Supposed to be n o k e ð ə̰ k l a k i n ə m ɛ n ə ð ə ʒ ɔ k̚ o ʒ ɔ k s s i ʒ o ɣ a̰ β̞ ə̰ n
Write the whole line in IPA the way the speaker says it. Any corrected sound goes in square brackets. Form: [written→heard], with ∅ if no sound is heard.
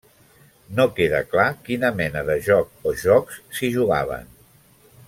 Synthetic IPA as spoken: n o k e ð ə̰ k l a k i n ə m ɛ n ə ð ə ʒ ɔ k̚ o ʒ ɔ k s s i ʒ [o→u] ɣ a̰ β̞ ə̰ n